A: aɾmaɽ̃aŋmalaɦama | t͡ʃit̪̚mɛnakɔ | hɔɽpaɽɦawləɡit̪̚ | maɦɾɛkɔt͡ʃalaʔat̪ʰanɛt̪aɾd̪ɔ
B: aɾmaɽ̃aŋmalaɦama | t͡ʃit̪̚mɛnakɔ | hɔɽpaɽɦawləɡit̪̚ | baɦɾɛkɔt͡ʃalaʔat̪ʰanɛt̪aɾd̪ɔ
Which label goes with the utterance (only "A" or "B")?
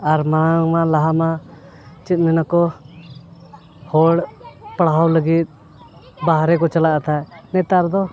B